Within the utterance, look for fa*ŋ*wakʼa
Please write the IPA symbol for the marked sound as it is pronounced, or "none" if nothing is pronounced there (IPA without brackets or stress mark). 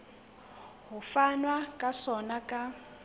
n